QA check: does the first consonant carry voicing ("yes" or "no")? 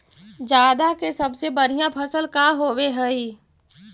yes